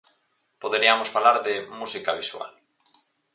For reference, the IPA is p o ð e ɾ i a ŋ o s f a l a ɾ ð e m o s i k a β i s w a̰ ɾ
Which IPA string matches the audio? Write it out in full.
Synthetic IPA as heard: p o ð e ɾ i a m o s f a l a ɾ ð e m u s i k a β i s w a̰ l